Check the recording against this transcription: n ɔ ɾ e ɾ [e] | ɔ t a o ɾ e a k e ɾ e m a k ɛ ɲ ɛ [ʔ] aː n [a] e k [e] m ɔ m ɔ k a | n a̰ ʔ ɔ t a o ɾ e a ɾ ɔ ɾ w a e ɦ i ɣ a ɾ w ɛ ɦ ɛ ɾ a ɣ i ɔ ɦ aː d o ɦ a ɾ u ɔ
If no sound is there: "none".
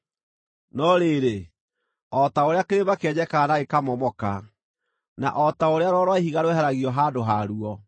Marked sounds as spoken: e, k, a, a

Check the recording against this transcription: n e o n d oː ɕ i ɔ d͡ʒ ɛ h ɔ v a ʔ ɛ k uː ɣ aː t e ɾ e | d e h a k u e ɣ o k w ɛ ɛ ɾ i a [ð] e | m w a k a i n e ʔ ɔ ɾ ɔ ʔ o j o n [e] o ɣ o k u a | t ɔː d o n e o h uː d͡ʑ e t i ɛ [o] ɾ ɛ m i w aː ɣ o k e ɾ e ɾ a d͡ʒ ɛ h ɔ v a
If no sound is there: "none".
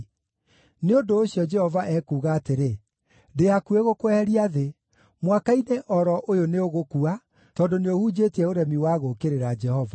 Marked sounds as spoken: ð, e, o

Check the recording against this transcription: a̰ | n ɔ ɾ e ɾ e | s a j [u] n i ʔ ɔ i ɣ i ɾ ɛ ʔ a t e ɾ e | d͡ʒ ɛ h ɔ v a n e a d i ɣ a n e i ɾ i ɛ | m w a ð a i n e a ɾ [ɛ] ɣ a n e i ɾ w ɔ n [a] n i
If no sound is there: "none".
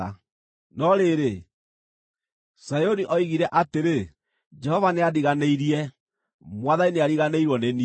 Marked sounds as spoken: o, i, e

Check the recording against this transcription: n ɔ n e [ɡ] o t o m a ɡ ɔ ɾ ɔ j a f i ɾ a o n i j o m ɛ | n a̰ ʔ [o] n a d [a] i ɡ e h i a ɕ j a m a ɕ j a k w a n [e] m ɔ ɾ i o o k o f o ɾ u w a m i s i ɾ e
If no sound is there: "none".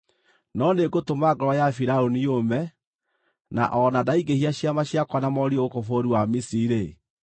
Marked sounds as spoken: ɡ, ɔ, a, a

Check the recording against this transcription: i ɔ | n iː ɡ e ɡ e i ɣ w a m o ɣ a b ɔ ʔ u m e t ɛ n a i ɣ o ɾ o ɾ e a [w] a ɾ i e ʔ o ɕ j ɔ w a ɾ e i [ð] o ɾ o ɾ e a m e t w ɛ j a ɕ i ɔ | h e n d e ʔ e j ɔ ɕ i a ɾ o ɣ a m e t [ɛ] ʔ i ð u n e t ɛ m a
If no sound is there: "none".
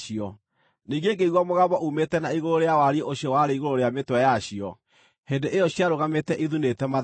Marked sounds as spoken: w, ɣ, ɛ

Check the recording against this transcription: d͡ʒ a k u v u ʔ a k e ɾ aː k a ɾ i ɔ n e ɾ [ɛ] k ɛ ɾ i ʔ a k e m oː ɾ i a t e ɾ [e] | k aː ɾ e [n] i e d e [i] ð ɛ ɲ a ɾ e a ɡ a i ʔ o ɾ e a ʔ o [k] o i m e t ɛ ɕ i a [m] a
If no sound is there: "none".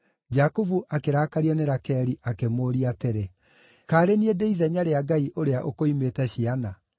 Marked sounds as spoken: a, e, n, i, k, n

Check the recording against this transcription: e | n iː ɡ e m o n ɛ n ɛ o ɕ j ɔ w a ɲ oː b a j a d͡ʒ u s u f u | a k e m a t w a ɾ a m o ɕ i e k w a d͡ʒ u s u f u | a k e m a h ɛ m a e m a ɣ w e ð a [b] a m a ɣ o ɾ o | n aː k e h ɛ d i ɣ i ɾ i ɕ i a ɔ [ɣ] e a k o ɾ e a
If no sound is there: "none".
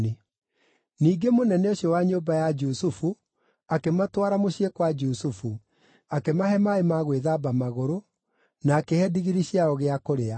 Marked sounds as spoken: b, ɣ

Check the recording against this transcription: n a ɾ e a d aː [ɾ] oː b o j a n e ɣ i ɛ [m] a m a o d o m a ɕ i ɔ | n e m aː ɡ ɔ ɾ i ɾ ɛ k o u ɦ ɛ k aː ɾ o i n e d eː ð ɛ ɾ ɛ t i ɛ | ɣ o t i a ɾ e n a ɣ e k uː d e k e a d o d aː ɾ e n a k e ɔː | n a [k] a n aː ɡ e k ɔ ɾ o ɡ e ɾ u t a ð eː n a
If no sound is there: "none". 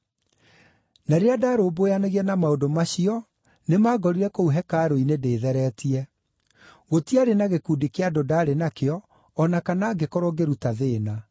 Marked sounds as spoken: ɾ, n, k

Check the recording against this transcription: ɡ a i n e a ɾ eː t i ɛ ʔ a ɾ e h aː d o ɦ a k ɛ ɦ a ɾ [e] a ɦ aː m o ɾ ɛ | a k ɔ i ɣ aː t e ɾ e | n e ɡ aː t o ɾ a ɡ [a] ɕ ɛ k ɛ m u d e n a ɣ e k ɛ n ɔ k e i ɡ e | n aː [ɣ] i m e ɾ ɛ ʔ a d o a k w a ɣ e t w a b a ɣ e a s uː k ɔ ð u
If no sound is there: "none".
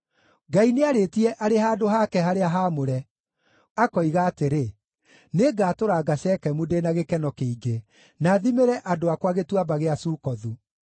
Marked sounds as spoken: e, a, ð

